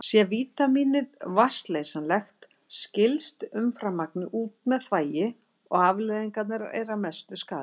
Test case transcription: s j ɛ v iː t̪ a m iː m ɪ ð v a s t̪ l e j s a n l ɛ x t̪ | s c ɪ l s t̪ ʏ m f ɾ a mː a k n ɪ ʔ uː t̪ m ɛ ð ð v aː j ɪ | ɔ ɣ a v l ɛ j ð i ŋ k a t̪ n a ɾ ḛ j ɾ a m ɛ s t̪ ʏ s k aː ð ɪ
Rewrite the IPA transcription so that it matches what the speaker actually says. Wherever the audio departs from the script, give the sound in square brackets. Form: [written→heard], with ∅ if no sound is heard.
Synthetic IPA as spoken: s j ɛ v iː t̪ a m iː [m→n] ɪ ð v a s t̪ l e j s a n l ɛ x t̪ | s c ɪ l s t̪ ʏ m f ɾ a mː a k n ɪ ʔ uː t̪ m ɛ ð [ð→θ] v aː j ɪ | ɔ ɣ a v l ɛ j ð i ŋ k a t̪ n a ɾ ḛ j ɾ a m ɛ s t̪ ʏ s k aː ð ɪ